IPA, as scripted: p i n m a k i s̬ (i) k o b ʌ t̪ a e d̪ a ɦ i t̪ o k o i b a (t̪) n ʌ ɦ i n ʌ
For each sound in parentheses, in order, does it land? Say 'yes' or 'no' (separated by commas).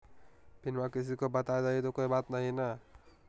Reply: yes, yes